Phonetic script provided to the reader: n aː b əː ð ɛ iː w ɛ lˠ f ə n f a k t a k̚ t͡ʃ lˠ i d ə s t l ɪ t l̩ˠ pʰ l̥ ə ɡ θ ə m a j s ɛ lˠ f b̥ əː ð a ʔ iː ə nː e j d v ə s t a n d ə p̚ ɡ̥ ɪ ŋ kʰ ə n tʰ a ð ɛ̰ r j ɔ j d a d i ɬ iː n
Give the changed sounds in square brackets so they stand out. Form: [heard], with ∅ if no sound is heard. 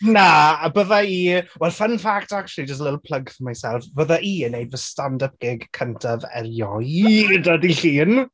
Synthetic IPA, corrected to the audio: n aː b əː ð [a] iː w ɛ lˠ f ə n f a k t a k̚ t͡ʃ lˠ i [d͡ʒ] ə s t l ɪ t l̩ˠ pʰ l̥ ə ɡ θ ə m a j s ɛ lˠ f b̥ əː ð a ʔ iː ə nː e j d v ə s t a n d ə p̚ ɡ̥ ɪ [ɡ] kʰ ə n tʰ a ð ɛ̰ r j ɔ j d a d i ɬ iː n